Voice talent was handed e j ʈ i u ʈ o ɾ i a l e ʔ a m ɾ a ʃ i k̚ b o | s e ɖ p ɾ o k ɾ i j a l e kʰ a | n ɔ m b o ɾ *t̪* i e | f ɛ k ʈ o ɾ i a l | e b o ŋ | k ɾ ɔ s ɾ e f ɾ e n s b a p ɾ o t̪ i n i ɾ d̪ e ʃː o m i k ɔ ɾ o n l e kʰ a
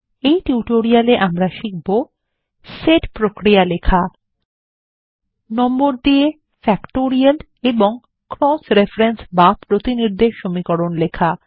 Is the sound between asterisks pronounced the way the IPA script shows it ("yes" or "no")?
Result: no